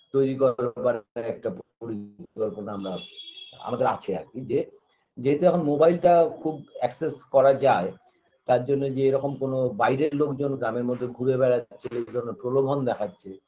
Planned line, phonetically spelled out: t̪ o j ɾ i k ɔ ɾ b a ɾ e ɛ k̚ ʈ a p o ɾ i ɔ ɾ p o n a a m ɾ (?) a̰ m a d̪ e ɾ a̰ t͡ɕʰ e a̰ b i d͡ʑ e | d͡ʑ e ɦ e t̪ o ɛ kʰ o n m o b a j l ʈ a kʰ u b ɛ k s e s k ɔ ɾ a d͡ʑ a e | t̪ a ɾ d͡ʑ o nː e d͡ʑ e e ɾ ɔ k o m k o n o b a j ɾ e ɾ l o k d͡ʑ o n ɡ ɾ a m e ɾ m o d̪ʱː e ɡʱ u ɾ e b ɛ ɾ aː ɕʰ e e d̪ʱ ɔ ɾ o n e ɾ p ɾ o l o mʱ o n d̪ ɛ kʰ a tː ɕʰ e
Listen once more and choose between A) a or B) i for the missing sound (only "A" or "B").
A